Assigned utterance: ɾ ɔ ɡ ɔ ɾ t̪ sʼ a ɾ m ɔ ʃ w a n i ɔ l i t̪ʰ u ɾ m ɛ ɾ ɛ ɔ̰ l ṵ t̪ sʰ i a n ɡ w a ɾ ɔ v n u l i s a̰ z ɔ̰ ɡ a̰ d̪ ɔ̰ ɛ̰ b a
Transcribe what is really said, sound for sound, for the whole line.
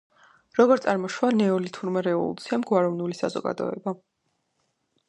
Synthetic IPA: ɾ ɔ ɡ ɔ ɾ t̪ sʼ a ɾ m ɔ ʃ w a n ɛ ɔ l i t̪ʰ u ɾ m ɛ ɾ ɛ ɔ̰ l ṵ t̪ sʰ i a m ɡ w a ɾ ɔ v n u l i s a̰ z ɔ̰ ɡ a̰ d̪ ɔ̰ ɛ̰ b a